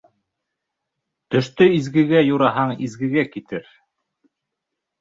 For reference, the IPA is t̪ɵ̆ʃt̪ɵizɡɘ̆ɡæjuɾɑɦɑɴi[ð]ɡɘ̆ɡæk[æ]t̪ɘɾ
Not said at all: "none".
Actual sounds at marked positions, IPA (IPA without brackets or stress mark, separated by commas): z, i